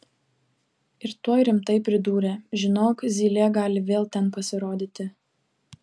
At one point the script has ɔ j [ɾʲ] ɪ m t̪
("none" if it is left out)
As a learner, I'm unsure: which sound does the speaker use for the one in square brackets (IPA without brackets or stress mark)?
ɾʲ